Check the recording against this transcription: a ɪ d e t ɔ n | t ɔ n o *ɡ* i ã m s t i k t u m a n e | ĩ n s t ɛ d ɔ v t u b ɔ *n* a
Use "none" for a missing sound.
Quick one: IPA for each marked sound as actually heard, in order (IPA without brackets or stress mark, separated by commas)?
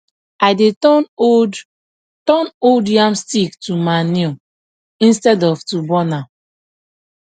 d, n